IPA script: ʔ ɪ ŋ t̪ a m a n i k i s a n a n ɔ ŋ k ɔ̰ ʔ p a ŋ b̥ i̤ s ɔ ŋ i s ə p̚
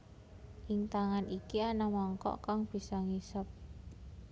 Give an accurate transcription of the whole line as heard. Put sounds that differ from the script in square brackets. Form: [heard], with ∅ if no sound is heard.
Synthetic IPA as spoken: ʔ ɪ ŋ t̪ a [ŋ] a n i k i [∅] a n a [m] ɔ ŋ k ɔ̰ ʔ [k] a ŋ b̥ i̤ s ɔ ŋ i s ə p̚